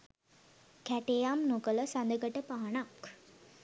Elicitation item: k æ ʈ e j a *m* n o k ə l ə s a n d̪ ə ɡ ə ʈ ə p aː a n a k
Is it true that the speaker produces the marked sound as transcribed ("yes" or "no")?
yes